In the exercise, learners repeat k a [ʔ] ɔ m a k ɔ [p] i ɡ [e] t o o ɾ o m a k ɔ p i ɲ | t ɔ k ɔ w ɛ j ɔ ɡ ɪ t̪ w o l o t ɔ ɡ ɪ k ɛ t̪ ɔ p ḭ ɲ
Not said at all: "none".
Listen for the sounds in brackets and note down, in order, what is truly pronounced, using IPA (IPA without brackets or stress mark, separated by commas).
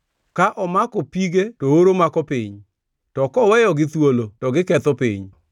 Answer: ʔ, p, e